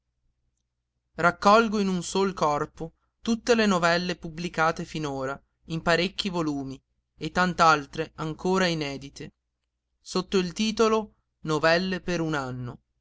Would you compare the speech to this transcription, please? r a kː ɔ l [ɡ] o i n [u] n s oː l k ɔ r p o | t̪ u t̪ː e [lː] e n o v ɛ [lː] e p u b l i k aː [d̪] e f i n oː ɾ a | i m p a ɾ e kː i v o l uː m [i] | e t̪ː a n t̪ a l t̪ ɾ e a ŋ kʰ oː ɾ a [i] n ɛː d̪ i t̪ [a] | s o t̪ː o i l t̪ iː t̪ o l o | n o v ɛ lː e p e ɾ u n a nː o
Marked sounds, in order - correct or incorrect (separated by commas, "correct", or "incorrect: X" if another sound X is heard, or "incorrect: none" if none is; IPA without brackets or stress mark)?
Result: correct, correct, incorrect: l, correct, incorrect: t̪, correct, correct, incorrect: e